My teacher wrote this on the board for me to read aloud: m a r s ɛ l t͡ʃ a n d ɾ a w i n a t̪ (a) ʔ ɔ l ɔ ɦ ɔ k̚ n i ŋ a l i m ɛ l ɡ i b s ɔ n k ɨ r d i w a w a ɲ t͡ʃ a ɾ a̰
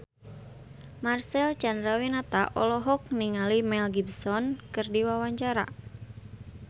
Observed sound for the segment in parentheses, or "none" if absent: a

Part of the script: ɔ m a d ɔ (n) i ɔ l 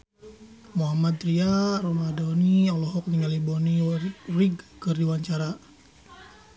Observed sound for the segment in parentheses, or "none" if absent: n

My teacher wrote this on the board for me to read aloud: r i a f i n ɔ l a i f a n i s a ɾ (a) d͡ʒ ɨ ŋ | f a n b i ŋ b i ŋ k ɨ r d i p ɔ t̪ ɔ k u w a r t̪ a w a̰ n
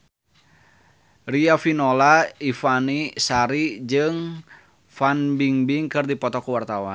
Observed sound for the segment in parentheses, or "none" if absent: i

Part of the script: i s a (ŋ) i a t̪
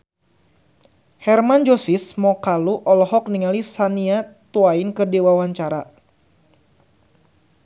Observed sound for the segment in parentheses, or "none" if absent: n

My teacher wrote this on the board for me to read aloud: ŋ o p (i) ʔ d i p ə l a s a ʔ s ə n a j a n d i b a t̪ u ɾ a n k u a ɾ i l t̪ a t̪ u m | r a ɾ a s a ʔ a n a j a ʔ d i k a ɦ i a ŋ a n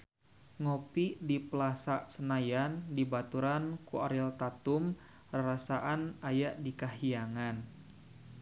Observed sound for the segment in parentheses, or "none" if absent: i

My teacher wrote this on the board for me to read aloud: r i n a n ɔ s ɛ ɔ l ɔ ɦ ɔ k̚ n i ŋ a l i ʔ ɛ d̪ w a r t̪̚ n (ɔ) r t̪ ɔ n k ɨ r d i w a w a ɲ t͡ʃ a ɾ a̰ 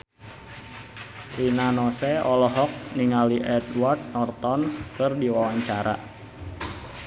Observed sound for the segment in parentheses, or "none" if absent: ɔ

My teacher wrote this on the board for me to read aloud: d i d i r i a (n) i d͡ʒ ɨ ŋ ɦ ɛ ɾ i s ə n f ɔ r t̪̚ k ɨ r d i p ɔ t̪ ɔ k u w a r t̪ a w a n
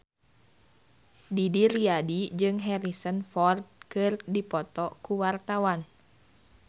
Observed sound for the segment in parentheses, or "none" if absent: d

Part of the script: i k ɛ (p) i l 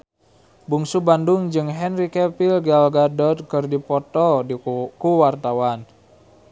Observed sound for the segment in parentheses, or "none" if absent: p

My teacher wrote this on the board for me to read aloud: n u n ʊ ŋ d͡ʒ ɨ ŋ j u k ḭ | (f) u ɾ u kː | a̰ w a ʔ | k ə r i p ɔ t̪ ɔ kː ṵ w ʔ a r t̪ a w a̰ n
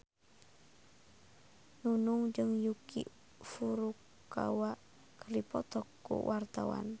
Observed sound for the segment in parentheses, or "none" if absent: f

